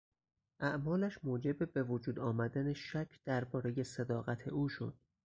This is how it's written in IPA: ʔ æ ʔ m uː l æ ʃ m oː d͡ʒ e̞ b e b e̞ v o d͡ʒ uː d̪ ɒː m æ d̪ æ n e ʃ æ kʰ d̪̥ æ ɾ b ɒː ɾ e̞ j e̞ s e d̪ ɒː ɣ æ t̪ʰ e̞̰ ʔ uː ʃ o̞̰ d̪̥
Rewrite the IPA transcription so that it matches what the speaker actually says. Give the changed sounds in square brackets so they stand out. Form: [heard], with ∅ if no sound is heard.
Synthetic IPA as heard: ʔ æ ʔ m [ɒː] l æ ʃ m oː d͡ʒ e̞ b e b e̞ v o d͡ʒ uː d̪ ɒː m æ d̪ æ n e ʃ æ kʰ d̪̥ æ ɾ b ɒː ɾ e̞ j e̞ s e d̪ ɒː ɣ æ t̪ʰ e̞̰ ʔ uː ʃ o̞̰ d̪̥